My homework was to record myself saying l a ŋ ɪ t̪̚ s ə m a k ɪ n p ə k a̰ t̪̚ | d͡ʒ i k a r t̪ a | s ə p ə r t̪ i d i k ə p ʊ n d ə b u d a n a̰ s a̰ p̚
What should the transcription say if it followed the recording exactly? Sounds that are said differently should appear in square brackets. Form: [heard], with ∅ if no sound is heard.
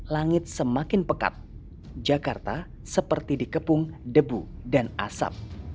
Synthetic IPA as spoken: l a ŋ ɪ t̪̚ s ə m a k ɪ n p ə k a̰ t̪̚ | d͡ʒ [a] k a r t̪ a | s ə p ə r t̪ i d i k ə p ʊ [ŋ] d ə b u d a n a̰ s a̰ p̚